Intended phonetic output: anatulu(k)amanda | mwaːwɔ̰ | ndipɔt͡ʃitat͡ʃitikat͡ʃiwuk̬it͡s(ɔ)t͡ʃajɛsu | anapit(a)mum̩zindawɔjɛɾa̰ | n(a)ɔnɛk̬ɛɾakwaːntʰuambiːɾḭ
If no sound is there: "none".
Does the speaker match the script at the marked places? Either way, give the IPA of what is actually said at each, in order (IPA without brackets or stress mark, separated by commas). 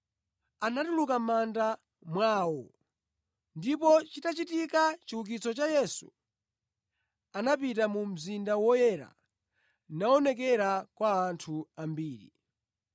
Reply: k, ɔ, a, a